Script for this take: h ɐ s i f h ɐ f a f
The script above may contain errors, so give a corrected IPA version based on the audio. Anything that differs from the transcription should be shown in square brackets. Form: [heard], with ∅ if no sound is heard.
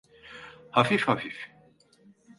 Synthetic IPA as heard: h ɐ [f] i f h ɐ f [i] f